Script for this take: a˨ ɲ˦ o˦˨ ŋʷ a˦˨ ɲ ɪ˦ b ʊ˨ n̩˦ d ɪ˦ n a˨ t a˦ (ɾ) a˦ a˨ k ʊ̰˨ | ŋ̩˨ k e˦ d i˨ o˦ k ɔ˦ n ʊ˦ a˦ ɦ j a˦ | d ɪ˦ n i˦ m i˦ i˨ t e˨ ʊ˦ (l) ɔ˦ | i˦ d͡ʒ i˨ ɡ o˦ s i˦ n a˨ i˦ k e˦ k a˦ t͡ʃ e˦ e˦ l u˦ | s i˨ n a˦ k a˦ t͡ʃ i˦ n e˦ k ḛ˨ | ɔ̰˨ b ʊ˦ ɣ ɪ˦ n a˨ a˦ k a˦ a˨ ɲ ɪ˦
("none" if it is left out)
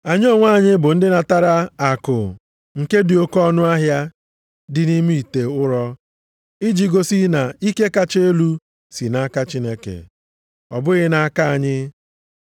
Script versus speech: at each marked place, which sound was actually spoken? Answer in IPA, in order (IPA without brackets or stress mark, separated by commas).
ɾ, ɾ